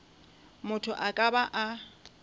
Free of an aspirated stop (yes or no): no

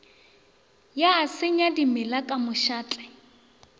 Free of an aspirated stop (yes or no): yes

